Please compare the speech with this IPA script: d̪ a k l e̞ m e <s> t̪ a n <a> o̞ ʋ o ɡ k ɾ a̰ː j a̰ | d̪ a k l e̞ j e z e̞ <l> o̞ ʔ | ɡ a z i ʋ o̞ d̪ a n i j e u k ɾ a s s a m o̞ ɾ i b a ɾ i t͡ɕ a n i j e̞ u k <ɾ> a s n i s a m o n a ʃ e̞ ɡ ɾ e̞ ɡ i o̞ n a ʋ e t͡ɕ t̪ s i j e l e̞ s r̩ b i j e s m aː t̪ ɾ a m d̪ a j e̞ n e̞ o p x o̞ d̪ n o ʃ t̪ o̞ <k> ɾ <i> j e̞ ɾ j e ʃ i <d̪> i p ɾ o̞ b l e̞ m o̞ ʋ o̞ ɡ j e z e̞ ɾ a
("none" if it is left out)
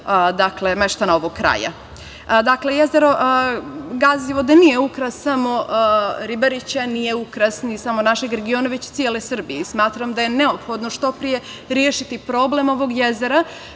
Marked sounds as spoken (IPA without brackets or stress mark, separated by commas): ʃ, a, ɾ, ɾ, p, i, t̪